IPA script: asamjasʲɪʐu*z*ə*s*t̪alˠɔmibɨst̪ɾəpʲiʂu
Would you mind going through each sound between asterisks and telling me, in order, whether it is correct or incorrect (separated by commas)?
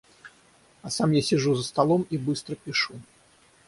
correct, correct